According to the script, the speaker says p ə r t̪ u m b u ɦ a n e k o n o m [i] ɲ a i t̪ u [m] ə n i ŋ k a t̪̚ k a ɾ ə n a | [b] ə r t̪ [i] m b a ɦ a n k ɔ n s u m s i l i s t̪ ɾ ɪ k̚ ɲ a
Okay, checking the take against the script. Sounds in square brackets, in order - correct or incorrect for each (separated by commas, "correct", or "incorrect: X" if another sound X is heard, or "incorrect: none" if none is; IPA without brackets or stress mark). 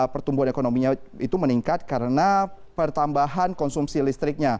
correct, correct, incorrect: p, incorrect: a